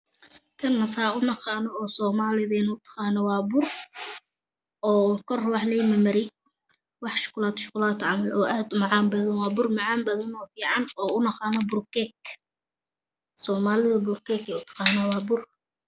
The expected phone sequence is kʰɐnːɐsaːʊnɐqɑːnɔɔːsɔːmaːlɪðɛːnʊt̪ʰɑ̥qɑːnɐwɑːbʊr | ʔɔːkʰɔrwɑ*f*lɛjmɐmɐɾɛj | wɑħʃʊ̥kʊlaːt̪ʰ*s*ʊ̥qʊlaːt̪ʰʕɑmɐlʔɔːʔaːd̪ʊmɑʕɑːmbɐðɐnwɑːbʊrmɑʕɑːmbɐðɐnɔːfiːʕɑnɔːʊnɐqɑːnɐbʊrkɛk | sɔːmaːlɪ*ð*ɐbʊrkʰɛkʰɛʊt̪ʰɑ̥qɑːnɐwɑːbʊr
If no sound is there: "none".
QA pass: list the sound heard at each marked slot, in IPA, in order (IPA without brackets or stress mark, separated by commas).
ħ, ʃ, ð